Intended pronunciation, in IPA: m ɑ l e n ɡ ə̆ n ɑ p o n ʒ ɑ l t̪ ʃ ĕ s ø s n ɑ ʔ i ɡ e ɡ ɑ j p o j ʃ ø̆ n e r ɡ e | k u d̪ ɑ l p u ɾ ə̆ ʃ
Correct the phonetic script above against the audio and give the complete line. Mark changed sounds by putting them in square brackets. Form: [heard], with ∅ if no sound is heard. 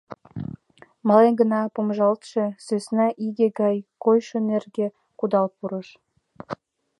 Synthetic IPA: m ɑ l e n ɡ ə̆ n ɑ p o [m] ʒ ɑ l t̪ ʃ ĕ s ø s n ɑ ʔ i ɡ e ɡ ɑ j [k] o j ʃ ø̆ n e r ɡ e | k u d̪ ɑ l p u ɾ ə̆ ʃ